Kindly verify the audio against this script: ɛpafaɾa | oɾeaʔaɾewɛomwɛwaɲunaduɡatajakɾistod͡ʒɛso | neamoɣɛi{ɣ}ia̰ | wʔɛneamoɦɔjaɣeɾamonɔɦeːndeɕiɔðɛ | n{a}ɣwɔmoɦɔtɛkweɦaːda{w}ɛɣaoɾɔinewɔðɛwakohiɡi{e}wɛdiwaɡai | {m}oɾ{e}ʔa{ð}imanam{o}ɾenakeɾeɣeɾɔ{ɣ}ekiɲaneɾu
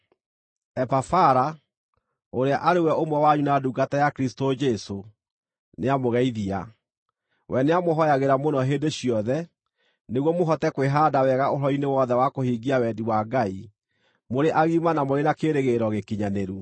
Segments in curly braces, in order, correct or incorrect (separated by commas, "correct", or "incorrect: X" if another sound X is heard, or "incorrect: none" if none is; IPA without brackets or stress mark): incorrect: ð, incorrect: e, correct, incorrect: a, correct, correct, incorrect: ɣ, correct, correct